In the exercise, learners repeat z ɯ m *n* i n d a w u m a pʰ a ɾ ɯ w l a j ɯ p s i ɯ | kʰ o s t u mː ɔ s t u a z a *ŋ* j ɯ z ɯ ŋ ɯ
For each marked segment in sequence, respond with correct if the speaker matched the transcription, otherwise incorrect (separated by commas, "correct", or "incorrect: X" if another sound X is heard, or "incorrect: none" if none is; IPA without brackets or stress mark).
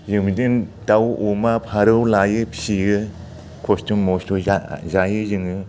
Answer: incorrect: d, incorrect: none